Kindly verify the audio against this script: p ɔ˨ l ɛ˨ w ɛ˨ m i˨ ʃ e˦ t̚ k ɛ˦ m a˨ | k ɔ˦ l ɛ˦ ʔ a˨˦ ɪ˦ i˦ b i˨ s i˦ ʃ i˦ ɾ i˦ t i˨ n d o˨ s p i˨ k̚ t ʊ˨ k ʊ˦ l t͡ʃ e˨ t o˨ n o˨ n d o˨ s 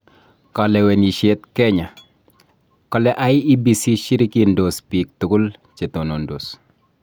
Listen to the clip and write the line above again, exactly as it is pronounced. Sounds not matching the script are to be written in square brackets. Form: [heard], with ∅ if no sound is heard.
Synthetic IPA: [k] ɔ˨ l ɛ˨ w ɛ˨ [n] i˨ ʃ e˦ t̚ k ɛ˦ [ɲ] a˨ | k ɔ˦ l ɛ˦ ʔ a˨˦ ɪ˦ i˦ b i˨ s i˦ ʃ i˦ ɾ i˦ [k] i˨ n d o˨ s p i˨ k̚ t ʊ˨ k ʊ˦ l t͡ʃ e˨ t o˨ n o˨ n d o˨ s